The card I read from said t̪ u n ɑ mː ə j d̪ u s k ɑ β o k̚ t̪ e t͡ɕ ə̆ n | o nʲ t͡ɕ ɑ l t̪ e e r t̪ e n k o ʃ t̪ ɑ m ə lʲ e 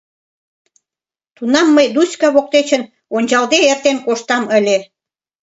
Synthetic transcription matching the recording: t̪ u n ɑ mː ə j d̪ u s k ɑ β o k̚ t̪ e t͡ɕ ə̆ n | o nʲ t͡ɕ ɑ l d̪ e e r t̪ e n k o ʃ t̪ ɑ m ə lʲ e